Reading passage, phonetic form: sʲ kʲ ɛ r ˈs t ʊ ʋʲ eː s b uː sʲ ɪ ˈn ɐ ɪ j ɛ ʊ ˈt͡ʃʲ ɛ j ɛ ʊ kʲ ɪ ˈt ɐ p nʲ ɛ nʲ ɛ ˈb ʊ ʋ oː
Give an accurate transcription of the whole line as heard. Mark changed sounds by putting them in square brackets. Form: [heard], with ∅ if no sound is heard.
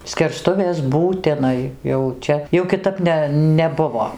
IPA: sʲ kʲ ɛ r ˈs t ʊ ʋʲ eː s b uː [tʲ] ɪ ˈn ɐ ɪ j ɛ ʊ ˈt͡ʃʲ ɛ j ɛ ʊ kʲ ɪ ˈt ɐ p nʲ ɛ nʲ ɛ ˈb ʊ ʋ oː